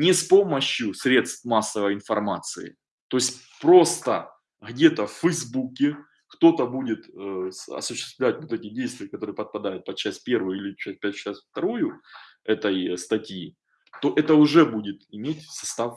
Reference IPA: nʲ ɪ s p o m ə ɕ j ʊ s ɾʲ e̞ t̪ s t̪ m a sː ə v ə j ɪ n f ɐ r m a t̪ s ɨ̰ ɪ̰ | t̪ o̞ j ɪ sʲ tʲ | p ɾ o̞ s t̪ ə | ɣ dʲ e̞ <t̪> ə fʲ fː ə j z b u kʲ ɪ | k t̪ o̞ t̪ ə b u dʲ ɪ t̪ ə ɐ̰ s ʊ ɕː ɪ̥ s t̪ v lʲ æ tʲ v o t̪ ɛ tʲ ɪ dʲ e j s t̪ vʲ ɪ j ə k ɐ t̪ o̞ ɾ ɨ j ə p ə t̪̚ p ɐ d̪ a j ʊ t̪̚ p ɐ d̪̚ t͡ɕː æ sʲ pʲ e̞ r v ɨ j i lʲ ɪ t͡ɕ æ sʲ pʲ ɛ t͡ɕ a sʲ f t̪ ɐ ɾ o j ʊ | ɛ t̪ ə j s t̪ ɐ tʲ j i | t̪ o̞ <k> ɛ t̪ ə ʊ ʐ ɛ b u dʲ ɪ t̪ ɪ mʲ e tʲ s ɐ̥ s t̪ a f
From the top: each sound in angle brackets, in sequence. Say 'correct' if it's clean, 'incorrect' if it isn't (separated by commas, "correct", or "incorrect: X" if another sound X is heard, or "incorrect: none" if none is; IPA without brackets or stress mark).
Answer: correct, incorrect: ʔ